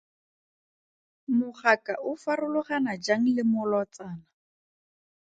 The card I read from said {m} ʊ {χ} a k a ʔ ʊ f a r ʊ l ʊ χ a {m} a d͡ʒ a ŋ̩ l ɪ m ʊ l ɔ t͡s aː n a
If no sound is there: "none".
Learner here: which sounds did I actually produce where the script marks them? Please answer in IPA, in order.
m, χ, n

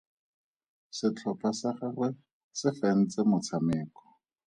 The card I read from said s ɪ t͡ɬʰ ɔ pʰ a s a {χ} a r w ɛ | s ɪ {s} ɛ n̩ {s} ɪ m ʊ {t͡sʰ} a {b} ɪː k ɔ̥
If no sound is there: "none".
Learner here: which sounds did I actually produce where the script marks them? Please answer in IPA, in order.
χ, f, t͡s, t͡sʰ, m

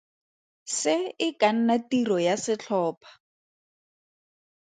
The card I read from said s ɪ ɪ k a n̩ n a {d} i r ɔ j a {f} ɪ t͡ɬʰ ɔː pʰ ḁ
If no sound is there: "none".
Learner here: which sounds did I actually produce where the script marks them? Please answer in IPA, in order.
t, s

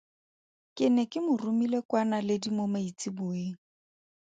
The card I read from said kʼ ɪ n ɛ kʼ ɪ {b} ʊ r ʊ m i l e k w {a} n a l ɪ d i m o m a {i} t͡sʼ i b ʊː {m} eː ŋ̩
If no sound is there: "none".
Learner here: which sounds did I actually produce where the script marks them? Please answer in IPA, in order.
m, a, i, none

